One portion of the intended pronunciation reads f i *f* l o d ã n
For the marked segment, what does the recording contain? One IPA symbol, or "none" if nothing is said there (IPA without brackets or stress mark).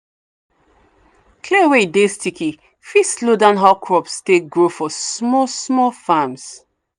s